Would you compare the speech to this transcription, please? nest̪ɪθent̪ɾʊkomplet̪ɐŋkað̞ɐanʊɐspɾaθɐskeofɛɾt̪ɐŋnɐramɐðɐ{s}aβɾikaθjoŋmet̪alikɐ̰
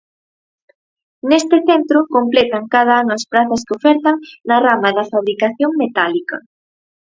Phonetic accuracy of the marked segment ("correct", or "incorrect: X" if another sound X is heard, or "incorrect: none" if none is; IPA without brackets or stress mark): incorrect: f